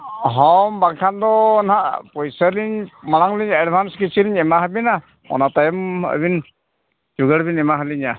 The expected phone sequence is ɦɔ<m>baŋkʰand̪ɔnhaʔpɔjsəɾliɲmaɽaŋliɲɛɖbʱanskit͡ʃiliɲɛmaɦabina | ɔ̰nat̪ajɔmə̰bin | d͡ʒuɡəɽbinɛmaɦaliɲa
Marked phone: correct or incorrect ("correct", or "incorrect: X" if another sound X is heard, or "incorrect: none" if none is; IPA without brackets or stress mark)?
correct